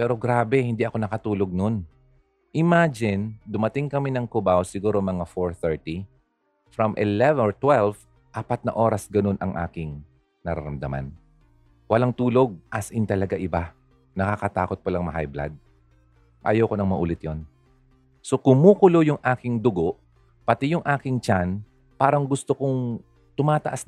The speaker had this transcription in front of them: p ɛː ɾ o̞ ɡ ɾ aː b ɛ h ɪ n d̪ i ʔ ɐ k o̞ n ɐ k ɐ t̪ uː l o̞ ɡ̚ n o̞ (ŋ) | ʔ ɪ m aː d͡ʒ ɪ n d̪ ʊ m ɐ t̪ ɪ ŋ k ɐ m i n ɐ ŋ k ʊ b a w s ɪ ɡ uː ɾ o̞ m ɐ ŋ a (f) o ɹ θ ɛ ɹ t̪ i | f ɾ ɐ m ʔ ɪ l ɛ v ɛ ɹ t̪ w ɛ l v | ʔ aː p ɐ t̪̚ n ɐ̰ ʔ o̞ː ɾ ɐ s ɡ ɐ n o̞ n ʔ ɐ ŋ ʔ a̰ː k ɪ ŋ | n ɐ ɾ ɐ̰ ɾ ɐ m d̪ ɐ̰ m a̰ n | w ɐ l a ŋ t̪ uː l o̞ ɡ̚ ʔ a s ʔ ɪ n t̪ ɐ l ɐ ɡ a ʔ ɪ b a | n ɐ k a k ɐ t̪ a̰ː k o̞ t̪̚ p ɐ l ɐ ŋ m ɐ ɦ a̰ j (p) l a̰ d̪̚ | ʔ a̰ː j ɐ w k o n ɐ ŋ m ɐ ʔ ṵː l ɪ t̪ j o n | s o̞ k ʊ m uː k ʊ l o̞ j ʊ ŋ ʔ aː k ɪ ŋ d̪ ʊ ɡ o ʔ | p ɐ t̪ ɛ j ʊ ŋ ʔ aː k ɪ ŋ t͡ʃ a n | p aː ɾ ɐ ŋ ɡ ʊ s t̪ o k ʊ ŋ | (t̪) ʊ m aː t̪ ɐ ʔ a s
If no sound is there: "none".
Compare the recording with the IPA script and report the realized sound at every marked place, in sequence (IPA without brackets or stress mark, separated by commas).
n, f, b, t̪